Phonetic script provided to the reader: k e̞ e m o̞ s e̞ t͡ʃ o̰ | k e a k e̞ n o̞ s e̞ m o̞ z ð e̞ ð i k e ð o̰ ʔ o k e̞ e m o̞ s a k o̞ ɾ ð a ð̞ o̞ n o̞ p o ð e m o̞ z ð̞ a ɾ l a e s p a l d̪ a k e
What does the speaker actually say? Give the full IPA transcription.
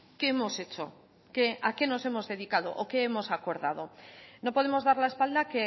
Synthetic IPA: k e̞ e m o̞ s e̞ t͡ʃ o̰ | k e a k e̞ n o̞ s e̞ m o̞ z ð e̞ ð i k a ð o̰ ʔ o k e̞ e m o̞ s a k o̞ ɾ ð a ð̞ o̞ n o̞ p o ð e m o̞ z ð̞ a ɾ l a e s p a l d̪ a k e